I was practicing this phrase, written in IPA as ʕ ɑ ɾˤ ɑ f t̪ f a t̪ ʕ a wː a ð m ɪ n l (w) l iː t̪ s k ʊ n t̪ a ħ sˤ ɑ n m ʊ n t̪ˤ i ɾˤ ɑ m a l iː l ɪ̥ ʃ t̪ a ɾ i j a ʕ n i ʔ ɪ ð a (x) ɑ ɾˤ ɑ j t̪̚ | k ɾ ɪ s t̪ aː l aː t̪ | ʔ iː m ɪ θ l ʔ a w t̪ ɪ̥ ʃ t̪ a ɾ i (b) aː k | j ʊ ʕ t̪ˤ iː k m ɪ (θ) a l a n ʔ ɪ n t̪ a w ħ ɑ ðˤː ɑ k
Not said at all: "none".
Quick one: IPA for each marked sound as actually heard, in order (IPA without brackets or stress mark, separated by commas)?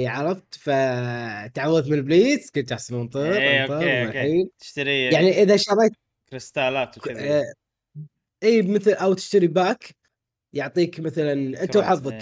b, ʃ, b, θ